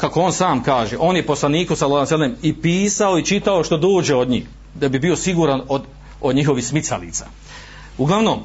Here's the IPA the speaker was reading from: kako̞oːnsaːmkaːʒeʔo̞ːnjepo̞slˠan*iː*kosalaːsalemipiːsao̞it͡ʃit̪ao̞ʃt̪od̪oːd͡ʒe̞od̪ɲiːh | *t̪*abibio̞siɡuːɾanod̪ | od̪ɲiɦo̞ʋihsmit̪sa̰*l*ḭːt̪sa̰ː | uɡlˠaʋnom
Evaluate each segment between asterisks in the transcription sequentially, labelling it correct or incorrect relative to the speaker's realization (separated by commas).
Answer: correct, incorrect, correct